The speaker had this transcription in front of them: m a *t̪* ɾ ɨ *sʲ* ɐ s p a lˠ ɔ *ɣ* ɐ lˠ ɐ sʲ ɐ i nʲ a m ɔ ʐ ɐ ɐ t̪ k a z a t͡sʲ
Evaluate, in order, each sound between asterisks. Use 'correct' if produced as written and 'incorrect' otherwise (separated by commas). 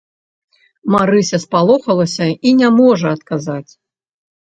incorrect, correct, incorrect